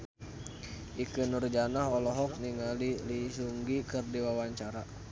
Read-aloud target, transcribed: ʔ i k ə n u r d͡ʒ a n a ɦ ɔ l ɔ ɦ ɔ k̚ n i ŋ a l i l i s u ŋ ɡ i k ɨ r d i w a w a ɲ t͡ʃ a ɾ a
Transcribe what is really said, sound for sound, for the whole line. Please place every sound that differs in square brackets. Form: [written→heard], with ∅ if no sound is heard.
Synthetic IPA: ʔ i k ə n u r d͡ʒ a n a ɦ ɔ l ɔ ɦ ɔ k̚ n i ŋ a l i l i s u ŋ ɡ i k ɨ r d i w a w a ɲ t͡ʃ a ɾ a